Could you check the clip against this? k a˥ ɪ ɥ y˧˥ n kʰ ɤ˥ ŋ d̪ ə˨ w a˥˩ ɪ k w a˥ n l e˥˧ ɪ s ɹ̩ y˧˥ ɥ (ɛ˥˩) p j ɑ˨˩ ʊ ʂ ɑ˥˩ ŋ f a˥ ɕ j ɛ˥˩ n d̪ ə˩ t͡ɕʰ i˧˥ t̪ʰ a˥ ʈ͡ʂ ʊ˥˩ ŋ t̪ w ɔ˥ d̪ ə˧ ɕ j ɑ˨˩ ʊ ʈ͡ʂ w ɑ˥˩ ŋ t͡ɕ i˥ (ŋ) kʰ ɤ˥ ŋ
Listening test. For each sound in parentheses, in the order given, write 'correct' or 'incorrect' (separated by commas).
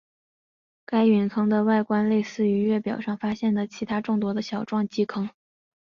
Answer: correct, incorrect